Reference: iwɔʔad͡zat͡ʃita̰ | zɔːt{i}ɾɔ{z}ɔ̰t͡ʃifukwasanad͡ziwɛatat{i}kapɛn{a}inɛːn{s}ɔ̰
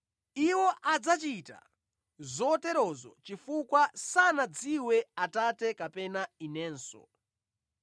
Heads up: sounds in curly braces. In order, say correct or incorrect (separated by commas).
incorrect, correct, incorrect, correct, correct